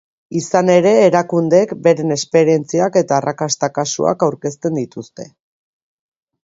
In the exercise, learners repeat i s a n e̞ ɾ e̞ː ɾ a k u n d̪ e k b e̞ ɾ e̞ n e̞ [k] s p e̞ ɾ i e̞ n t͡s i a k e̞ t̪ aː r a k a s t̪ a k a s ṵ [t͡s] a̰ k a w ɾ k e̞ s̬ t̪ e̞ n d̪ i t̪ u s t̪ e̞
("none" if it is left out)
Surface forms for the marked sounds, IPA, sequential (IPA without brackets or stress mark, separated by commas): none, none